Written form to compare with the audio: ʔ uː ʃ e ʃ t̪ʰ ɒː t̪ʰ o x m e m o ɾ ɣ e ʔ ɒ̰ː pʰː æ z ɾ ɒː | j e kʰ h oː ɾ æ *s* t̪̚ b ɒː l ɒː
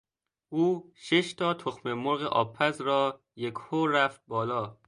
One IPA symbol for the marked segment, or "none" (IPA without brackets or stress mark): f